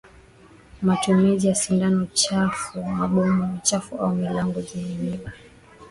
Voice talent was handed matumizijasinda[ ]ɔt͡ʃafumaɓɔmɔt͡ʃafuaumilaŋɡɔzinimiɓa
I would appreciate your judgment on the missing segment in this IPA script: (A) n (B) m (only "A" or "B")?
A